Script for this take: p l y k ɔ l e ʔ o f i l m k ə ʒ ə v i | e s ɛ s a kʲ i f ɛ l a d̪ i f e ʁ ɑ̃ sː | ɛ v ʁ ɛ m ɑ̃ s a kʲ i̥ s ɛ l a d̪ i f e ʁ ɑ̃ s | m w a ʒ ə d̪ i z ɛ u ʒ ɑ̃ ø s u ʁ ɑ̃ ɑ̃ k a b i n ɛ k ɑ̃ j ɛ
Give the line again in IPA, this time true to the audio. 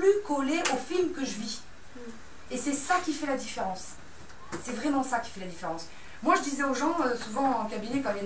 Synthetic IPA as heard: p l y k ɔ l e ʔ o f i l m k ə ʒ ə v i | e s ɛ s a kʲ i f ɛ l a d̪ i f e ʁ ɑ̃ sː | ɛ v ʁ ɛ m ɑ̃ s a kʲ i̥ f ɛ l a d̪ i f e ʁ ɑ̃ s | m w a ʒ ə d̪ i z ɛ o ʒ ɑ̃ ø s u v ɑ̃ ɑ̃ k a b i n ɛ k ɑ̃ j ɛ